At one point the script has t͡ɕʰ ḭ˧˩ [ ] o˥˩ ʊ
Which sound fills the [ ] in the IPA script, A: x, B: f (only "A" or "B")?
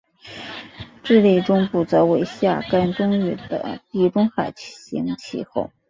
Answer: A